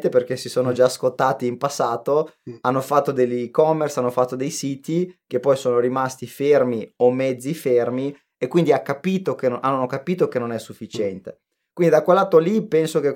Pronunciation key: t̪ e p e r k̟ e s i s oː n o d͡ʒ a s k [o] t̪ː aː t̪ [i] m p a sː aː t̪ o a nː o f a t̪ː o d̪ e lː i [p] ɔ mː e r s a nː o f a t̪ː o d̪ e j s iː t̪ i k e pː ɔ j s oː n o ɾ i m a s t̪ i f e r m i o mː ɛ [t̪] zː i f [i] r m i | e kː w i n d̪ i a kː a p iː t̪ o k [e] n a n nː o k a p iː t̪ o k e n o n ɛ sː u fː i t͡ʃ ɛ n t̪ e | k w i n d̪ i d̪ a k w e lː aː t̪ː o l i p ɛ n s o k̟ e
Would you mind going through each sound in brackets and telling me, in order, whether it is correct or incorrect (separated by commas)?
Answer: correct, incorrect, incorrect, incorrect, incorrect, correct